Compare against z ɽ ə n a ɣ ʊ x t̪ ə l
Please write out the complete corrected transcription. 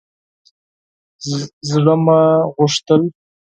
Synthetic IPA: z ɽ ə m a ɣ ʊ ʂ t̪ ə l